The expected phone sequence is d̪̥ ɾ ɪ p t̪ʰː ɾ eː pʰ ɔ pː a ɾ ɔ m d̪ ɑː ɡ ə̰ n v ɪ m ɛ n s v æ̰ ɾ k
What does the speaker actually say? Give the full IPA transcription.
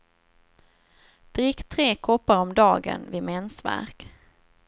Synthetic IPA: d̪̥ ɾ ɪ k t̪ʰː ɾ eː kʰ ɔ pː a ɾ ɔ m d̪ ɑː ɡ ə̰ n v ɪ m ɛ n s v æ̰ ɾ k

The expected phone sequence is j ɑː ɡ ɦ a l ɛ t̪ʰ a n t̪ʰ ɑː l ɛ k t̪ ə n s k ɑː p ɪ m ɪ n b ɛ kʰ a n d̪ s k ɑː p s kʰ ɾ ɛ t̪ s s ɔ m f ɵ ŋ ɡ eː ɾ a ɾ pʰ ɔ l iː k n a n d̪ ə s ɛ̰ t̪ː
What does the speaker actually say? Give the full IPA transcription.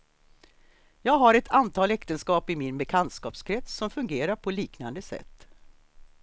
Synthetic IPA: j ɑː ɡ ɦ a ɾ ɛ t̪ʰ a n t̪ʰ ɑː l ɛ k t̪ ə n s k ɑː p ɪ m ɪ n b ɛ kʰ a n t̪ s k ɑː p s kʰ ɾ ɛ t̪ s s ɔ m f ɵ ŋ ɡ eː ɾ a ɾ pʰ ɔ l iː k n a n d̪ ə s ɛ̰ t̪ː

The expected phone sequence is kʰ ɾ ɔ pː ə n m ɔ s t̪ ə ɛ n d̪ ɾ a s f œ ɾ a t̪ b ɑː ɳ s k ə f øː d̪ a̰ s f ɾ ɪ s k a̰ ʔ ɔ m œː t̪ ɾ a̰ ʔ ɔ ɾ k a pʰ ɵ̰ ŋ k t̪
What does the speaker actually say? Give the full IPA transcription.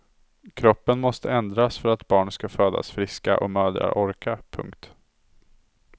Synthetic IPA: kʰ ɾ ɔ pː ə n m ɔ s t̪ ə ɛ n d̪ ɾ a s f œ ɾ a t̪ b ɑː ɳ s k a f øː d̪ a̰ s f ɾ ɪ s k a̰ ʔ ɔ m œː d̪ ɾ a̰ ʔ ɔ ɾ k a pʰ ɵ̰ ŋ k t̪

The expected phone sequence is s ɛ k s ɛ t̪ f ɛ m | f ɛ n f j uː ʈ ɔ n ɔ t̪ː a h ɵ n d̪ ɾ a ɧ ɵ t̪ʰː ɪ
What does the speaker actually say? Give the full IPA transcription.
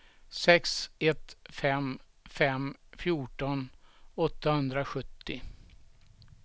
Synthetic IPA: s ɛ k s ɛ t̪ f ɛ m | f ɛ m f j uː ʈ ɔ n ɔ t̪ː a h ɵ n d̪ ɾ a ɧ ɵ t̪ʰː ɪ

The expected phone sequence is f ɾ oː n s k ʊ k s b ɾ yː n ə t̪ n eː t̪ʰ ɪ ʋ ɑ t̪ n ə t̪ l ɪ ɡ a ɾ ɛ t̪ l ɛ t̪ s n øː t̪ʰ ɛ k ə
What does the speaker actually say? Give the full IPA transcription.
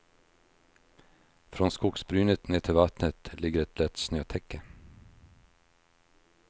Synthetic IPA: f ɾ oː n s k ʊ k s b ɾ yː n ə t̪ n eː t̪ʰ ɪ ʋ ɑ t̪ n ə t̪ l ɪ ɡ ə ɾ ɛ t̪ l ɛ t̪ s n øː t̪ʰ ɛ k ə

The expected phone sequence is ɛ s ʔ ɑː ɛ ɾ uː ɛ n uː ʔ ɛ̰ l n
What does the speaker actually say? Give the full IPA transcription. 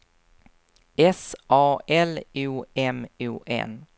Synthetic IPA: ɛ s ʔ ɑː ɛ l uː ɛ m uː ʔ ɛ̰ n

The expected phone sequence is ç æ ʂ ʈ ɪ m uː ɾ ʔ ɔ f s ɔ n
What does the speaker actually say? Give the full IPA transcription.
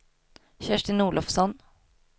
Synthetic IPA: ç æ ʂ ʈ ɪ n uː ɭ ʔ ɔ f s ɔ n

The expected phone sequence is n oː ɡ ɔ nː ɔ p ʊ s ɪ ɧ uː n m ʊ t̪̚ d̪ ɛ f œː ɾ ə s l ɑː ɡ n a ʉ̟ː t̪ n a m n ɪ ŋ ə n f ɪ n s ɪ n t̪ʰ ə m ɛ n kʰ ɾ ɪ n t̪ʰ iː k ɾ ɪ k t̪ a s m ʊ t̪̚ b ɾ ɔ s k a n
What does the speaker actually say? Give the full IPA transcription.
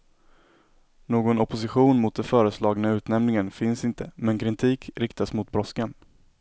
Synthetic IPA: n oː ɡ ɔ n ɔ p ʊ s ɪ ɧ uː n m ʊ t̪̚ d̪ ɛ f œː ɾ ə s l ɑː ɡ n a ʉ̟ː t̪ n ɛ m n ɪ ŋ ə n f ɪ n s ɪ n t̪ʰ ə m ɛ n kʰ ɾ ɪ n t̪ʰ iː k ɾ ɪ k t̪ a s m ʊ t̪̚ b ɾ ɔ s k a n

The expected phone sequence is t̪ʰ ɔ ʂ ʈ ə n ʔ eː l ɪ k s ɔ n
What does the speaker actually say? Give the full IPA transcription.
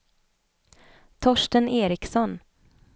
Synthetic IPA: t̪ʰ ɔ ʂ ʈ ə n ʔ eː ɾ ɪ k s ɔ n

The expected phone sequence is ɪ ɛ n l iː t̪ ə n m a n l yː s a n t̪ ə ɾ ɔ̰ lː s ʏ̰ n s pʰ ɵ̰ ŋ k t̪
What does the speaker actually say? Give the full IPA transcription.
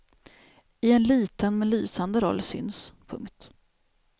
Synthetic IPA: ɪ ɛ n l iː t̪ ə n m ɛ n l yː s a n d̪ ə ɾ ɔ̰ lː s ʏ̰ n s pʰ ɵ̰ ŋ k t̪

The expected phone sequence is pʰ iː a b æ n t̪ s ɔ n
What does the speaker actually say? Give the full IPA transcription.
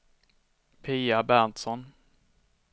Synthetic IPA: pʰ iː a b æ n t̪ s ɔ n

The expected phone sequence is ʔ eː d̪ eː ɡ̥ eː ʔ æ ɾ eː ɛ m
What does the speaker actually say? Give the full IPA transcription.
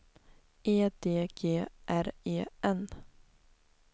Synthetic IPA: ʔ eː d̪ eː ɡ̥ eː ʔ æ ɾ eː ɛ n

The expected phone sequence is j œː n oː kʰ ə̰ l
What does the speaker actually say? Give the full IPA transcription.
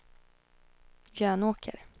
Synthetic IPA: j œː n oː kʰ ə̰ ɾ

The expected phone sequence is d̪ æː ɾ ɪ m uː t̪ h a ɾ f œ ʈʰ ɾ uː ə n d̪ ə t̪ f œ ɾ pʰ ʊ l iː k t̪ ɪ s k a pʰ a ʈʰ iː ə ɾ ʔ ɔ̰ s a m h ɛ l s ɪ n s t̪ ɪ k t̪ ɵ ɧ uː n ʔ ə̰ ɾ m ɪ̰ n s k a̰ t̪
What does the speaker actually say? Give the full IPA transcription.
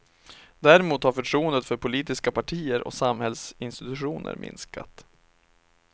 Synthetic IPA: d̪ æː ɾ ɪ m uː t̪ h a ɾ f œ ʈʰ ɾ uː ə n d̪ ə t̪ f œ ɾ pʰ ʊ l iː t̪ ɪ s k a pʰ a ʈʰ iː ə ɾ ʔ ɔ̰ s a m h ɛ l s ɪ n s t̪ ɪ t̪ ɵ ɧ uː n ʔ ə̰ ɾ m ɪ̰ n s k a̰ t̪

